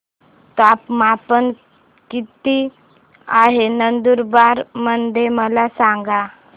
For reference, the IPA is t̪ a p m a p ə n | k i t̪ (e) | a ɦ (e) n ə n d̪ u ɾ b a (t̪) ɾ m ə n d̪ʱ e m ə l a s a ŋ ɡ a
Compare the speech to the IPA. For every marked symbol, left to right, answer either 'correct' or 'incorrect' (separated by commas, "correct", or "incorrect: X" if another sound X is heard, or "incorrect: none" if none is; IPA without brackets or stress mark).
incorrect: i, correct, incorrect: none